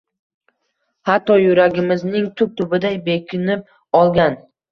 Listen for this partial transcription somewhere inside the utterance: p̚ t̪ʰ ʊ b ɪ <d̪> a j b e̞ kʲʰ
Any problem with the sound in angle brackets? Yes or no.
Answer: no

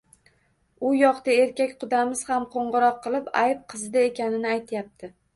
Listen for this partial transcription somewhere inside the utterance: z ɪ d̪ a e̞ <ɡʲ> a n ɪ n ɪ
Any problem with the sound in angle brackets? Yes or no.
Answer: yes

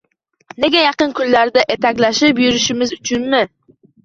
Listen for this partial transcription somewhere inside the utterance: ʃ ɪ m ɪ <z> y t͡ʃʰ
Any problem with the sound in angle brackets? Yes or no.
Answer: no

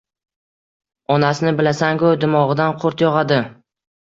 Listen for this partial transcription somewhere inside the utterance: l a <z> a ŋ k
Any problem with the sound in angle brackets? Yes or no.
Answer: yes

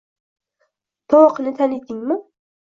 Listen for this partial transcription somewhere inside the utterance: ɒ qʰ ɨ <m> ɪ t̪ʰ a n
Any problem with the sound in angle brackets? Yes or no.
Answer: yes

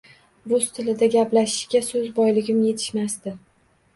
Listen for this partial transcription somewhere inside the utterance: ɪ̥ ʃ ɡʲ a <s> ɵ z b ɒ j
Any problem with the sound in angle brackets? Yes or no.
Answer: no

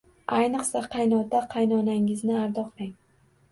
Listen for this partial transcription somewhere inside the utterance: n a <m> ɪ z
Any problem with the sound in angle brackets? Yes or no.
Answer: yes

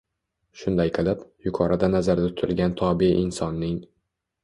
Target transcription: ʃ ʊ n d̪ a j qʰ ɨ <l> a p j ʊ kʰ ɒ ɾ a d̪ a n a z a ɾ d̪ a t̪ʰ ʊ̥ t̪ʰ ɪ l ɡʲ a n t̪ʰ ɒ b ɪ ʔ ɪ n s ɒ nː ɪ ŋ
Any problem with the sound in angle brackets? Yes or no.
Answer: no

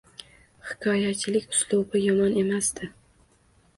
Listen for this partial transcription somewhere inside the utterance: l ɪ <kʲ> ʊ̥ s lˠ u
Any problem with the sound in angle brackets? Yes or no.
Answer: no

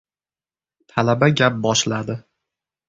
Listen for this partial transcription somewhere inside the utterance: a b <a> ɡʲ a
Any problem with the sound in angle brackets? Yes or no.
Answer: no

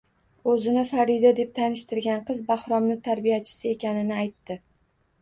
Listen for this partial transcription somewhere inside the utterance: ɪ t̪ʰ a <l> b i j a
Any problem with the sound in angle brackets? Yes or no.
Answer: yes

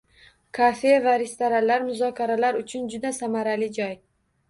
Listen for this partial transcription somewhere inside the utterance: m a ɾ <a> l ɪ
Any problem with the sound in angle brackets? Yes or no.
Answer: no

